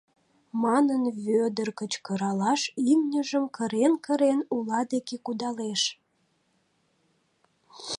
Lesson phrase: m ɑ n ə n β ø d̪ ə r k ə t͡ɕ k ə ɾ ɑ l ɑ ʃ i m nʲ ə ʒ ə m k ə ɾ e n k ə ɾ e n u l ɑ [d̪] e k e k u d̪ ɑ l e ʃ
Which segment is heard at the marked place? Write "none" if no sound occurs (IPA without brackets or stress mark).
d̪